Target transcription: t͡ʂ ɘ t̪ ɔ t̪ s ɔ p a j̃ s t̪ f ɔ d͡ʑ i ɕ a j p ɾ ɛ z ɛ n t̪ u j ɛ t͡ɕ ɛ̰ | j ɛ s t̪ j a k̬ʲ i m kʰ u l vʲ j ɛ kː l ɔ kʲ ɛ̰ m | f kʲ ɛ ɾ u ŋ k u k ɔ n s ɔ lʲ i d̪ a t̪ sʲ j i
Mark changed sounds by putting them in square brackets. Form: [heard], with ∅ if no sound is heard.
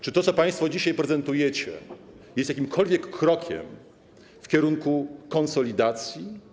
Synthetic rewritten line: t͡ʂ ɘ t̪ ɔ t̪ s ɔ p a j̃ s t̪ f ɔ d͡ʑ i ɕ a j p ɾ ɛ z ɛ n t̪ u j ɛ t͡ɕ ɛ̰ | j ɛ s t̪ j a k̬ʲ i m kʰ [ɔ] l vʲ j ɛ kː [ɾ] ɔ kʲ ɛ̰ m | f kʲ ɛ ɾ u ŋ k u k ɔ n s ɔ lʲ i d̪ a t̪ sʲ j i